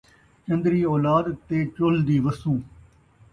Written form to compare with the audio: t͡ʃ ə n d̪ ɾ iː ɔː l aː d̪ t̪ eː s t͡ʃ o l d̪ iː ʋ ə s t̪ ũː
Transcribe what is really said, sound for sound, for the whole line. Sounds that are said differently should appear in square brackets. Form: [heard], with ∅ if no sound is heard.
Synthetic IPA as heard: t͡ʃ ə n d̪ ɾ iː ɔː l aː d̪ t̪ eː [∅] t͡ʃ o l d̪ iː ʋ ə s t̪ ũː